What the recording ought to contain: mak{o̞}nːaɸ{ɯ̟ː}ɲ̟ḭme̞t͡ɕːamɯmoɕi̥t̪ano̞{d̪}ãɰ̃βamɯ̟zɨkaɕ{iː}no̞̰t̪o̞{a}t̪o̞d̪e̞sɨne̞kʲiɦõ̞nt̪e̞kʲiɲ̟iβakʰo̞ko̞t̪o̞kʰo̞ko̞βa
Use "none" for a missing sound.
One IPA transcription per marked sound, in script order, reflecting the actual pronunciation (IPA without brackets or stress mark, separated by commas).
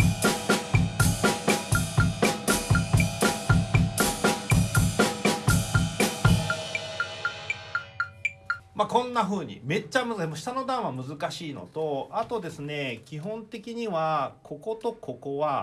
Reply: õ̞, ɯ̟ː, d̪, iː, a